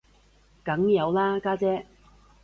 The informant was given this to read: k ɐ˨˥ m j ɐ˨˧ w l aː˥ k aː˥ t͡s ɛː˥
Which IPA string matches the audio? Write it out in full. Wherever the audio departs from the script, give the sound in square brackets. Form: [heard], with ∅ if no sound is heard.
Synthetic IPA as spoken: k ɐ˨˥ [ŋ] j ɐ˨˧ w l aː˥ k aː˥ t͡s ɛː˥